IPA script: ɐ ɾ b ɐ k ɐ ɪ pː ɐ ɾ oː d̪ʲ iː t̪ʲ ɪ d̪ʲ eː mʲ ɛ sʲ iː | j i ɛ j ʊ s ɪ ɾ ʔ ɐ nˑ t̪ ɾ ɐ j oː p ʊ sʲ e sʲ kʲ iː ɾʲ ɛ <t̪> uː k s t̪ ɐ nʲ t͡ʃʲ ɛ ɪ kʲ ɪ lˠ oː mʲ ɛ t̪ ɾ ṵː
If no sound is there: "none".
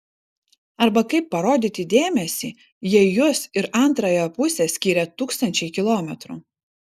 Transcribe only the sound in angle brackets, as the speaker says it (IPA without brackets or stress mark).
t̪